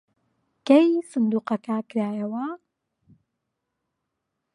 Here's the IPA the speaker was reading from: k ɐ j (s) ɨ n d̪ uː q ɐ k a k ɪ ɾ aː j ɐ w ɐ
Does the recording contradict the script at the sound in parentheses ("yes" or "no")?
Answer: no